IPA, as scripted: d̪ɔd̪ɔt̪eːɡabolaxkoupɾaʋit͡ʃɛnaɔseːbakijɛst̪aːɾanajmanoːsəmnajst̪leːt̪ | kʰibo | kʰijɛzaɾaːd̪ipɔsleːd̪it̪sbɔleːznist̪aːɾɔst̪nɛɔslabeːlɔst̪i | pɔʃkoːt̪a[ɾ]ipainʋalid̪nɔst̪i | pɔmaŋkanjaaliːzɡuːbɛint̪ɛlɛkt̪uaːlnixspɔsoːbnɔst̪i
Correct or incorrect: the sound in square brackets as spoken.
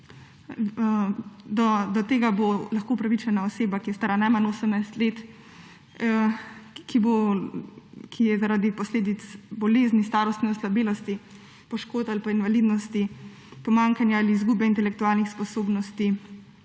incorrect: l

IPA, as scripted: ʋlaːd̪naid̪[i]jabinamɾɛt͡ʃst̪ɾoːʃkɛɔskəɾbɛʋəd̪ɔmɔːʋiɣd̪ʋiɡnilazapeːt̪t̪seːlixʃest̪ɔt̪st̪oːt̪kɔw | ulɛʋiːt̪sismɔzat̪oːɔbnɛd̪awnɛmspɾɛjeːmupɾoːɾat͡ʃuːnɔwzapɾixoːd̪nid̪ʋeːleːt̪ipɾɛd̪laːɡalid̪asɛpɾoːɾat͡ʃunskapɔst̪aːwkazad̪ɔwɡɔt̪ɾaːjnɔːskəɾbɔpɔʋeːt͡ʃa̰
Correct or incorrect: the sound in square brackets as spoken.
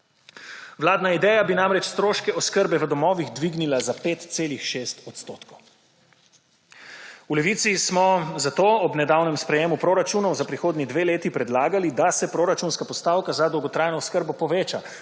incorrect: ɛ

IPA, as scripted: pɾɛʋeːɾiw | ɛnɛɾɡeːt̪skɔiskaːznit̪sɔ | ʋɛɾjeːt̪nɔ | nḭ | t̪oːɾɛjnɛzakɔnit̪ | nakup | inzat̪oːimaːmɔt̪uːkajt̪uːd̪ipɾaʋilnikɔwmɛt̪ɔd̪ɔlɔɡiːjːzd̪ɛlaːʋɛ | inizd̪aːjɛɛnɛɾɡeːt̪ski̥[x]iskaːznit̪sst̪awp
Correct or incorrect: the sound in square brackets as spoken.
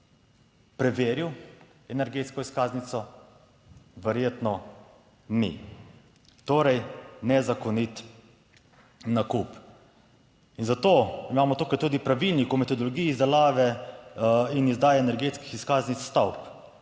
correct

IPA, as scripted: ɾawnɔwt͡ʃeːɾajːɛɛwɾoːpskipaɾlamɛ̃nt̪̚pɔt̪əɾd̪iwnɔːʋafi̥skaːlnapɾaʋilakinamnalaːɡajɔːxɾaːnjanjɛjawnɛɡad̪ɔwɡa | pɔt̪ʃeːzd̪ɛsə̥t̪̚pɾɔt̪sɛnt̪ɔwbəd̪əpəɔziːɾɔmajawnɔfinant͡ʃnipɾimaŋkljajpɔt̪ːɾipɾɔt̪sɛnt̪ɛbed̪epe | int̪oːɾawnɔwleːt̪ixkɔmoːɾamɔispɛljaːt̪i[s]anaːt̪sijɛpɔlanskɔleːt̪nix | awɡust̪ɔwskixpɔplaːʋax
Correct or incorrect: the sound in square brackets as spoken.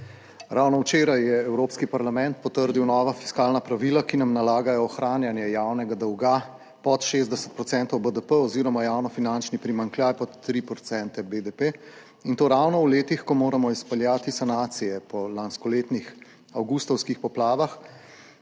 correct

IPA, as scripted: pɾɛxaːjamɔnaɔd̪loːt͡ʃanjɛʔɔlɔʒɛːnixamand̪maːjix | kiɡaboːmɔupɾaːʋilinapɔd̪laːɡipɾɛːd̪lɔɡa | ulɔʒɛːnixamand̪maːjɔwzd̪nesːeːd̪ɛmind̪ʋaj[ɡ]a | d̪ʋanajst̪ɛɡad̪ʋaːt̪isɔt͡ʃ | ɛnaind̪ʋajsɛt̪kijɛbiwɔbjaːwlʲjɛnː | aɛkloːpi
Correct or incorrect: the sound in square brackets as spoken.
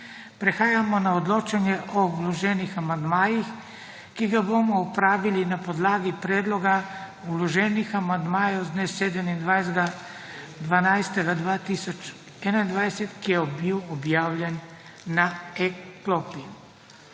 correct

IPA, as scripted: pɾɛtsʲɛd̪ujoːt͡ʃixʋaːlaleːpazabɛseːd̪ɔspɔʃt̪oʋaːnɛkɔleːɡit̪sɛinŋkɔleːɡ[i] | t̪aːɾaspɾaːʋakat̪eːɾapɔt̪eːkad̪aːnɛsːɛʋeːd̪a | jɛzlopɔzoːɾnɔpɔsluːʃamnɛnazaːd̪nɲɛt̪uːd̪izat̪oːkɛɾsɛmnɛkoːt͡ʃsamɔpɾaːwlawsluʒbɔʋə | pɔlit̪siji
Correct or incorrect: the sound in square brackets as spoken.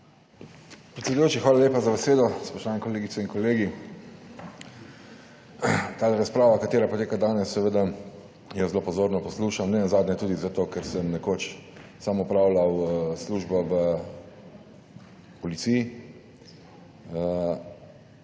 correct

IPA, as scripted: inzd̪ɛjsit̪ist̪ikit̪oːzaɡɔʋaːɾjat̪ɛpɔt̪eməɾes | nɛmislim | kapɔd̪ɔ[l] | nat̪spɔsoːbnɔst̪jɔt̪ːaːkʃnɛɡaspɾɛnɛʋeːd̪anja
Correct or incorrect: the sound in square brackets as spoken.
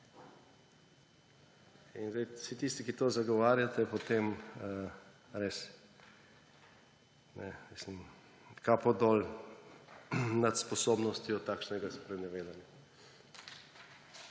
correct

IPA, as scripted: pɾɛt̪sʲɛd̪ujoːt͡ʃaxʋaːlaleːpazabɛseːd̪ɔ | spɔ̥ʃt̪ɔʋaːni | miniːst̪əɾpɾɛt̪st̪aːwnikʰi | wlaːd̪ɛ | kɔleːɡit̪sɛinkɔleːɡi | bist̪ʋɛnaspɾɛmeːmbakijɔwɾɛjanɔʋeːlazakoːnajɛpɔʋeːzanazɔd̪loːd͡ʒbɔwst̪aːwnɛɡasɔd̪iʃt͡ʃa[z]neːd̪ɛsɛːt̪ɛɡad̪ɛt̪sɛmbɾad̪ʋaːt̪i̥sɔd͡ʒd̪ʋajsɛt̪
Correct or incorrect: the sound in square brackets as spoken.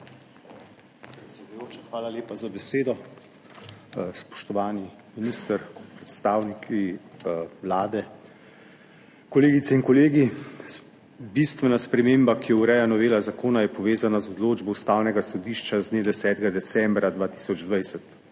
correct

